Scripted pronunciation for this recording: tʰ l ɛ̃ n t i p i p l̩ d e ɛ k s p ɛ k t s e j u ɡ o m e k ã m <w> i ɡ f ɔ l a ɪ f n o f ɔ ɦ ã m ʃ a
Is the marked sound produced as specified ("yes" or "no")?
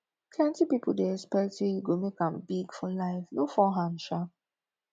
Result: no